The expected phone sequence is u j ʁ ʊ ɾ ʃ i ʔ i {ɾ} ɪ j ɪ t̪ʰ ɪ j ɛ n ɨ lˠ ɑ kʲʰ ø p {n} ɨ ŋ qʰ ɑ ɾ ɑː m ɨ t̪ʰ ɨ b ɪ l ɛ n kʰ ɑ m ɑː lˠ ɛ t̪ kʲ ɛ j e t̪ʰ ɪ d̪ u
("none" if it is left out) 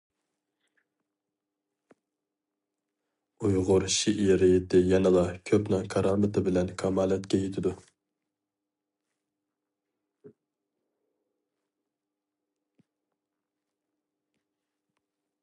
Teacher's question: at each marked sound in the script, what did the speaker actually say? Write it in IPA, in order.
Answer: ɾ, n

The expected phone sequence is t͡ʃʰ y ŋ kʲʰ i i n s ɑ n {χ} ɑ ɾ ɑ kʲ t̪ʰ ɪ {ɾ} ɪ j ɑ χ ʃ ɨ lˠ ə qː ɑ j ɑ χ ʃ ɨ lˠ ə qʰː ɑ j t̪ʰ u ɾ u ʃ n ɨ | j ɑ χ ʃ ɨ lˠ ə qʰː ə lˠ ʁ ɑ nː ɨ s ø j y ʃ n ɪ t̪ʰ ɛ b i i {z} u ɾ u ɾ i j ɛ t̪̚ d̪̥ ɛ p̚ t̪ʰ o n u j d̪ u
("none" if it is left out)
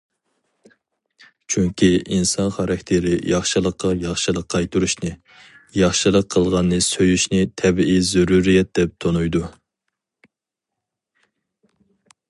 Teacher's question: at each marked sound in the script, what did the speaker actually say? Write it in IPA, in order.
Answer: χ, ɾ, z

